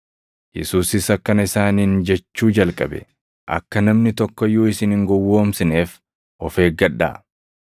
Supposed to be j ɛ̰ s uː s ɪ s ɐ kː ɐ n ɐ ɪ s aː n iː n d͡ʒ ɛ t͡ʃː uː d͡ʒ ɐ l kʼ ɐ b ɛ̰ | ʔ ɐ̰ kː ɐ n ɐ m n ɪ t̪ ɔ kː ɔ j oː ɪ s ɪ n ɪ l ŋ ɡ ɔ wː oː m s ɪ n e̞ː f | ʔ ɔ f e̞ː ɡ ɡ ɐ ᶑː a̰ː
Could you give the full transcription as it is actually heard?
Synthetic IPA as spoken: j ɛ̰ s uː s ɪ s ɐ kː ɐ n ɐ ɪ s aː n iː n d͡ʒ ɛ t͡ʃː uː d͡ʒ ɐ l kʼ ɐ b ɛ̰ | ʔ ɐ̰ kː ɐ n ɐ m n ɪ t̪ ɔ kː ɔ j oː ɪ s ɪ n ɪ ŋ ɡ ɔ wː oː m s ɪ n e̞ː f | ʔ ɔ f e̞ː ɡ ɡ ɐ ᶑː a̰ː